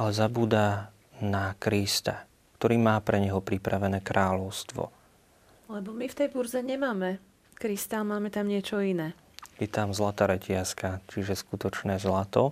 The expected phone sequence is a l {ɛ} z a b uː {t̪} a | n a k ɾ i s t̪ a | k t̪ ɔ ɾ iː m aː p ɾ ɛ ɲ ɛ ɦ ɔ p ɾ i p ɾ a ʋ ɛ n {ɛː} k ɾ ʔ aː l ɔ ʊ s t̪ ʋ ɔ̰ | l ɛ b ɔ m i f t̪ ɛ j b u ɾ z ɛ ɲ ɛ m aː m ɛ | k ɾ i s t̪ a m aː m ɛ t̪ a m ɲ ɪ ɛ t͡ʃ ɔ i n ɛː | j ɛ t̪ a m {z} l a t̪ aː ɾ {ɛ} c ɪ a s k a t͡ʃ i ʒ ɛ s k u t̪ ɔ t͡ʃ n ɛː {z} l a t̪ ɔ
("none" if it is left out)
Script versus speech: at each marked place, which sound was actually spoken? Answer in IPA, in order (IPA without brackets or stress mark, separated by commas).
ɛ, d̪, ɛː, z, ɛ, z